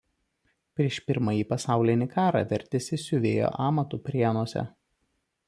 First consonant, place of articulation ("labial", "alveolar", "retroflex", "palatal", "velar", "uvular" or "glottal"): labial